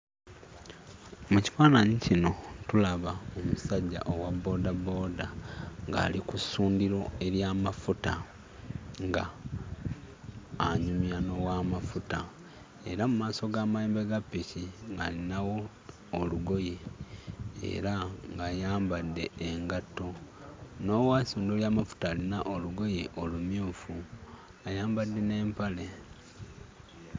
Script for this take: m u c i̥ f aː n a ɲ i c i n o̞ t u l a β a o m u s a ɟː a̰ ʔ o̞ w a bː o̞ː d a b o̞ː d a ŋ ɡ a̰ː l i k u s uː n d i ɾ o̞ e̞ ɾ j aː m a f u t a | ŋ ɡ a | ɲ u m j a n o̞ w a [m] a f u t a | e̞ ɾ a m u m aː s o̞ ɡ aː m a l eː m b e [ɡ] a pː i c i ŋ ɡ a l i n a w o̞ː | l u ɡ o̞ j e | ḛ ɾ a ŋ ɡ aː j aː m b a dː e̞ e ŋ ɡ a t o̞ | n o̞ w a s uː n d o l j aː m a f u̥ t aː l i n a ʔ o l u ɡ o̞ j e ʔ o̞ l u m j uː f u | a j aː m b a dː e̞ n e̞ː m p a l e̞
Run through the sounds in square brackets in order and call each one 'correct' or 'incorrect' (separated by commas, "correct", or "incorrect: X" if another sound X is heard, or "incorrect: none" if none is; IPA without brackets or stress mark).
correct, correct